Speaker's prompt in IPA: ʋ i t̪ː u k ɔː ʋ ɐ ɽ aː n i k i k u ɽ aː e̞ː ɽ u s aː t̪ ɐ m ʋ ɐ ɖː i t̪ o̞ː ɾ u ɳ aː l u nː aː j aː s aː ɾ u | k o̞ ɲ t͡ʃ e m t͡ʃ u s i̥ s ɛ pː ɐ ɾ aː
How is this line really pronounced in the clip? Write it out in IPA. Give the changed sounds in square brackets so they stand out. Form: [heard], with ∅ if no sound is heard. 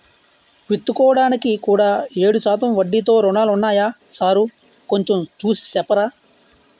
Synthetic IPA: ʋ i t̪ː u k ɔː ʋ ɐ ɽ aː n i k i k [uː] ɽ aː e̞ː ɽ u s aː t̪ ɐ m ʋ ɐ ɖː i t̪ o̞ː ɾ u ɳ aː l u nː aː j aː s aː ɾ u | k o̞ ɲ t͡ʃ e m t͡ʃ [uː] s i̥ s ɛ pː ɐ ɾ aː